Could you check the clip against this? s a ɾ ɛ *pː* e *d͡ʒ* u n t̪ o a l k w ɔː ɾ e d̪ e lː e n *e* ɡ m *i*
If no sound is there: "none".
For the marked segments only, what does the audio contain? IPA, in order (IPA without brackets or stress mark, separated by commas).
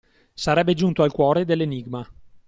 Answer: bː, d͡ʒ, i, a